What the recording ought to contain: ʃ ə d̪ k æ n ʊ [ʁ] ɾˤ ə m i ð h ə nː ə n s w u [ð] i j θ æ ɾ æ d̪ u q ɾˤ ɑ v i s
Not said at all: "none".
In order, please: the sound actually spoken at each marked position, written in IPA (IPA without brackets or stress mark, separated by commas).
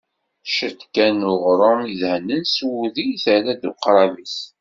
ʁ, ð